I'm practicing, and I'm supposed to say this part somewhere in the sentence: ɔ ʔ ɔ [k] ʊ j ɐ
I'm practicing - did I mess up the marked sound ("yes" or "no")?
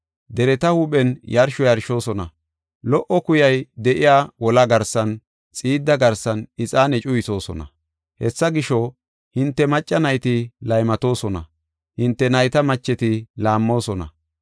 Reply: no